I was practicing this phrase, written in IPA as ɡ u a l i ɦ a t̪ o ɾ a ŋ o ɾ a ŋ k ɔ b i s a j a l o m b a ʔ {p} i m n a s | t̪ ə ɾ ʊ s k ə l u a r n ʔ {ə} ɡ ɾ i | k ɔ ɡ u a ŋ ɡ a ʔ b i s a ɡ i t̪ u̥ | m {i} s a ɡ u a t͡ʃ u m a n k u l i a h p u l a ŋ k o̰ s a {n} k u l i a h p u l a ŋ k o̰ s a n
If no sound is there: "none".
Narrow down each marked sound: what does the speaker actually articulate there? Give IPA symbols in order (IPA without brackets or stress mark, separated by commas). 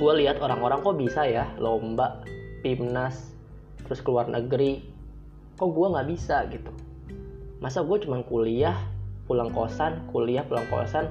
p, ə, a, n